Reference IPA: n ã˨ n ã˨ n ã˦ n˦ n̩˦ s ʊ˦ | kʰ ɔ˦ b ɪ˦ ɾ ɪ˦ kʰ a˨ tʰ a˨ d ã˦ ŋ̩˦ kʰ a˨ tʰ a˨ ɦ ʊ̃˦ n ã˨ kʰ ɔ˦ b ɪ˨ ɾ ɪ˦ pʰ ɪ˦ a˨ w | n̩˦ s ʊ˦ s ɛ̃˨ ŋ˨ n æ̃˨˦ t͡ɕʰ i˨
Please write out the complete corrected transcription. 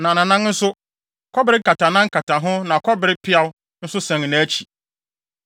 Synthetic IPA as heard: n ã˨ n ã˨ n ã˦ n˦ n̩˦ s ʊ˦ | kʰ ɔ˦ b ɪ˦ ɾ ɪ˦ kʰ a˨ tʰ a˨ n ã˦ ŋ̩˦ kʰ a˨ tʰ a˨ ɦ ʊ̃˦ n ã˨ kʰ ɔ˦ b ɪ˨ ɾ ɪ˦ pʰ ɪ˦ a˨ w | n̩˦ s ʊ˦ s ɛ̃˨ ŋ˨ n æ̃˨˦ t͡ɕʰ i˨